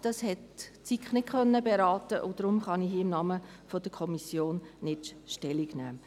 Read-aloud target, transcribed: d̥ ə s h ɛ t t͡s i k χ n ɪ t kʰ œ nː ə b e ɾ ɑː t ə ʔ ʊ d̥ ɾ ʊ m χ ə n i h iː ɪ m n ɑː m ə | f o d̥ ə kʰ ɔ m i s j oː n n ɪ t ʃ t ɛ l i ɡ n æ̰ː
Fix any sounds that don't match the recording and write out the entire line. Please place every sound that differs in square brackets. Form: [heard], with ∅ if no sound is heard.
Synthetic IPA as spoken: d̥ [ɑ] s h ɛ t t͡s i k χ n ɪ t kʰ œ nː ə b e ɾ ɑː t ə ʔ ʊ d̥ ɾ ʊ m χ [ɑ] n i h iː ɪ m n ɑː m ə | f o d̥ ə kʰ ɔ m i s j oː n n ɪ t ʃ t ɛ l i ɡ n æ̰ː